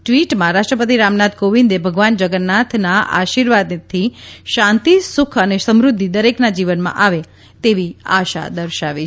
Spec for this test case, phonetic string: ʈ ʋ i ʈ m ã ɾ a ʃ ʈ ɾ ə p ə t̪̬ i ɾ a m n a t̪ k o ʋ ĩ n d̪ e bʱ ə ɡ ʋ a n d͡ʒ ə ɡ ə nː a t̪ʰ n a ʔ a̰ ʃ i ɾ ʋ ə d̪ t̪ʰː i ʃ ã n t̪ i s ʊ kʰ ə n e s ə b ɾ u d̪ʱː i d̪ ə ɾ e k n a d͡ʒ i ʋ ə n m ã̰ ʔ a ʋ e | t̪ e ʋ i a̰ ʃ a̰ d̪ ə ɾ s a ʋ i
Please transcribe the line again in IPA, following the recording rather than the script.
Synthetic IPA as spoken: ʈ ʋ i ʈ m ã ɾ a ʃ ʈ ɾ ə p ə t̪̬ i ɾ a m n a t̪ k o ʋ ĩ n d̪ e bʱ ə ɡ ʋ a n d͡ʒ ə ɡ ə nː a t̪ʰ n a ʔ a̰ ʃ i ɾ ʋ a d̪ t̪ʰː i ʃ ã n t̪ i s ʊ kʰ ə n e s ə m ɾ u d̪ʱː i d̪ ə ɾ e k n a d͡ʒ i ʋ ə n m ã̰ ʔ a ʋ e | t̪ e ʋ i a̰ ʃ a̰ d̪ ə ɾ ʃ a ʋ i